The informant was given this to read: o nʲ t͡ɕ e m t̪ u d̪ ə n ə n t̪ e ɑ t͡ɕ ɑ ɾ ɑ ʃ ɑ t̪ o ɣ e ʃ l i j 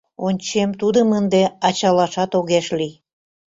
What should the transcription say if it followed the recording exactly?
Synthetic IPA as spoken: o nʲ t͡ɕ e m t̪ u d̪ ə m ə n d̪ e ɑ t͡ɕ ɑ l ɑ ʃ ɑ t̪ o ɣ e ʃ l i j